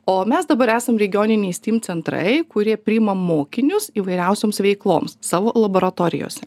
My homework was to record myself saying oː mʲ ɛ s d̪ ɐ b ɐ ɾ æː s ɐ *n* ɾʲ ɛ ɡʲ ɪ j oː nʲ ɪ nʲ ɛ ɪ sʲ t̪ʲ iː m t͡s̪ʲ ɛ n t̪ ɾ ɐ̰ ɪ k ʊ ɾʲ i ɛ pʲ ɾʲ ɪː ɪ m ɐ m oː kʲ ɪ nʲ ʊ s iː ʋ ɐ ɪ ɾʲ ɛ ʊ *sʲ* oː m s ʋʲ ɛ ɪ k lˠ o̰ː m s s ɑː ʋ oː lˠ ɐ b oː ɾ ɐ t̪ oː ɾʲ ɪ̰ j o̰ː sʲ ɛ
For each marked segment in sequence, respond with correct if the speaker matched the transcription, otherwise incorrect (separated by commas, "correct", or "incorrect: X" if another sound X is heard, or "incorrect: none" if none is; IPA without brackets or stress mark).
incorrect: m, correct